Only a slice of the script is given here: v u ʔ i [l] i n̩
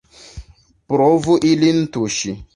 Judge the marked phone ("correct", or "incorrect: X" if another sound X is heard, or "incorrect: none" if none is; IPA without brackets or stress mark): correct